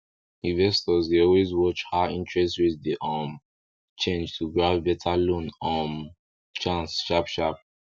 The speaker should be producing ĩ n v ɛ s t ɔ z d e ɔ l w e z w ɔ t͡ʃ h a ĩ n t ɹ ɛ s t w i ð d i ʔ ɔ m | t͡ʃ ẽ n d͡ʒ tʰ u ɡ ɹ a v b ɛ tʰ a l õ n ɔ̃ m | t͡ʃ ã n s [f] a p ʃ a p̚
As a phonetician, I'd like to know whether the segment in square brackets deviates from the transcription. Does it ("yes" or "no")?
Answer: yes